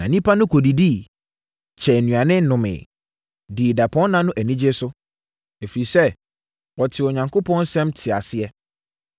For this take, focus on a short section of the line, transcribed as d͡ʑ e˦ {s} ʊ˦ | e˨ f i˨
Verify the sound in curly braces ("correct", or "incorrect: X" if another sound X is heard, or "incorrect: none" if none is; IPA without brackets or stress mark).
correct